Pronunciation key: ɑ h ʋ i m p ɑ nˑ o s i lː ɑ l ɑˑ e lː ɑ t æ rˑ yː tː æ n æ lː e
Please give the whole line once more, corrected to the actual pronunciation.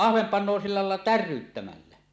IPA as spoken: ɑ h ʋ e m p ɑ nˑ o s i lː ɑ l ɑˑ e lː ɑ t æ rˑ yː tː æ m æ lː æ